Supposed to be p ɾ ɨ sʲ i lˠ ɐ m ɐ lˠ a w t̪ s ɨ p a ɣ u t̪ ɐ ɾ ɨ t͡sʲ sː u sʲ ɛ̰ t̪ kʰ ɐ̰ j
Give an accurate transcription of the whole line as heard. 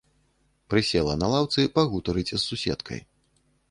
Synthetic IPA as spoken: p ɾ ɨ sʲ ɛ lˠ ɐ n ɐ lˠ a w t̪ s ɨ p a ɣ u t̪ ɐ ɾ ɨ t͡sʲ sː u sʲ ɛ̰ t̪ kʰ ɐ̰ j